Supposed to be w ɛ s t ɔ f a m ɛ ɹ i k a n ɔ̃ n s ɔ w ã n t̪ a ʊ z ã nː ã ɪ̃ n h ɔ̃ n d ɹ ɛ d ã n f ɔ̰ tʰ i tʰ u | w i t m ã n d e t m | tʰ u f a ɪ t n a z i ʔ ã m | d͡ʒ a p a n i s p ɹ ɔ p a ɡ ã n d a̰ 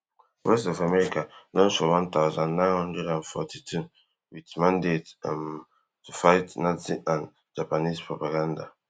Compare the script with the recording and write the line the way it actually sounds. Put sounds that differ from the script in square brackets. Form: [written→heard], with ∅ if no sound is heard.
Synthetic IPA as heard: w ɛ s t ɔ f a m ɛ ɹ i k a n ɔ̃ n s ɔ w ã n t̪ a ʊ z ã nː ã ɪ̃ n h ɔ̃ n d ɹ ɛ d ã n f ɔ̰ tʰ i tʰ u | w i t m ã n d e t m | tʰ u f a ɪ t n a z i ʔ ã [m→n] | d͡ʒ a p a n i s p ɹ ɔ p a ɡ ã n d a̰